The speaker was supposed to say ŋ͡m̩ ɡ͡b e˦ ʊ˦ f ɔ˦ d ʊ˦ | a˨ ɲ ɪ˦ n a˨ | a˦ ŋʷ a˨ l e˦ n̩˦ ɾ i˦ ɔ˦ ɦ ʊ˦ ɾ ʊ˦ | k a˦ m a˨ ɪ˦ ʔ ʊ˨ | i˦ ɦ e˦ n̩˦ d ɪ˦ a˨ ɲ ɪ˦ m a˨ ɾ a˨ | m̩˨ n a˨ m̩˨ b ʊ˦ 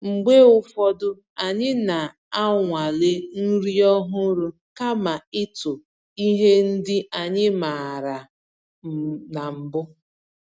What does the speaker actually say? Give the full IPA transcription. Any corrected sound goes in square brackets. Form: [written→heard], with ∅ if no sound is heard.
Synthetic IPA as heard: ŋ͡m̩ ɡ͡b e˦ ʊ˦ f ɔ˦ d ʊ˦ | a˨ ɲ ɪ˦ n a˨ | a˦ ŋʷ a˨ l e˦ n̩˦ ɾ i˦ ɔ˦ ɦ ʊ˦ ɾ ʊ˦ | k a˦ m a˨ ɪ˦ [ʔ→t] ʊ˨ | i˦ ɦ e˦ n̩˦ d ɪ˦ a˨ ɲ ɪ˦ m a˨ ɾ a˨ | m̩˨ n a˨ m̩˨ b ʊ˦